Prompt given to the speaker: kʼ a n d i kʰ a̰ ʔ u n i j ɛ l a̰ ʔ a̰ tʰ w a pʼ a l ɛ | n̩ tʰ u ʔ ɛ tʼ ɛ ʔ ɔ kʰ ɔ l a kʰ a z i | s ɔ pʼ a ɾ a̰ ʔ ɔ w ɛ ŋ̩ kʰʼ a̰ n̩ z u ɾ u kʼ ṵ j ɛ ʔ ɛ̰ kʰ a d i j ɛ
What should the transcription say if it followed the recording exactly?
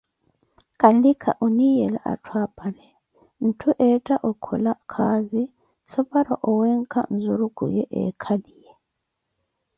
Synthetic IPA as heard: kʼ a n d i kʰ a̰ ʔ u n i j ɛ l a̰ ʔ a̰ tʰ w a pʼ a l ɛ | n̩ tʰ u ʔ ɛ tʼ a ʔ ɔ kʰ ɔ l a kʰ a z i | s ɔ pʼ a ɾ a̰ ʔ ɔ w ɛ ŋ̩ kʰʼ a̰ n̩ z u ɾ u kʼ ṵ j ɛ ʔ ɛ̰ kʰ a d i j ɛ